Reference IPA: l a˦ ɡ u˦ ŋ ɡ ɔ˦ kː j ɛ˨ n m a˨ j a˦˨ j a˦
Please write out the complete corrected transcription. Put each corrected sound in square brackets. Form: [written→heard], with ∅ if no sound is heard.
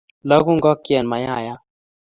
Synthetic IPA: l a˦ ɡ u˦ ŋ ɡ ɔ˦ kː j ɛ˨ n m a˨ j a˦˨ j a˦